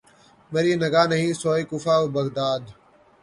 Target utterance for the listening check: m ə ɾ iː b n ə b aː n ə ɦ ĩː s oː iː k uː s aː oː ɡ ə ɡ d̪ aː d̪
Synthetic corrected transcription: m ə ɾ iː n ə ɡ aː n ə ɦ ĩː s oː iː k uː f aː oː b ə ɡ d̪ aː d̪